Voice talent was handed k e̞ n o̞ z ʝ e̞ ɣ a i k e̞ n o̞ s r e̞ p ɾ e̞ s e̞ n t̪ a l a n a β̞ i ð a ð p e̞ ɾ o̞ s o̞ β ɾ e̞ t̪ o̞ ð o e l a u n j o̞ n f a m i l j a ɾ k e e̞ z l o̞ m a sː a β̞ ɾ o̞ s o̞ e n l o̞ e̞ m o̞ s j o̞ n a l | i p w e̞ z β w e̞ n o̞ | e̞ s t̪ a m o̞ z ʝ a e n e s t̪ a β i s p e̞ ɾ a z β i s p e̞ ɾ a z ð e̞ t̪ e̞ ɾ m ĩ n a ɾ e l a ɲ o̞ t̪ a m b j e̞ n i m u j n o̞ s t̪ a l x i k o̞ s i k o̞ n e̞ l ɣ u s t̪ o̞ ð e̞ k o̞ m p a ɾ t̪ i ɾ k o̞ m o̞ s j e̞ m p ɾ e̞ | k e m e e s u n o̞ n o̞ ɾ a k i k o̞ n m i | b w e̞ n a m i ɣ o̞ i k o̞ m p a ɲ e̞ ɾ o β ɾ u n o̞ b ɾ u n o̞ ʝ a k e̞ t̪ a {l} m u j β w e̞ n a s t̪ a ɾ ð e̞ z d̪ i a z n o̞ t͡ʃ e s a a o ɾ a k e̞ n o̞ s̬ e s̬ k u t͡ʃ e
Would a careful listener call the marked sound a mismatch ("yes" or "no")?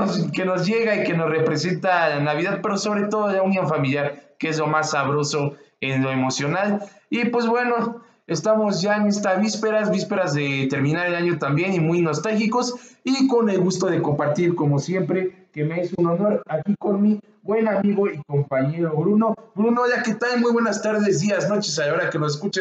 no